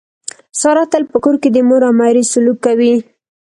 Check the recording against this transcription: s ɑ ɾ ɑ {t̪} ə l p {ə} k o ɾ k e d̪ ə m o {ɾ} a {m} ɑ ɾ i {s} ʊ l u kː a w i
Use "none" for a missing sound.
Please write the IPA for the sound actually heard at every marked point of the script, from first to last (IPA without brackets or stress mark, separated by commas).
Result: t̪, ə, ɾ, m, s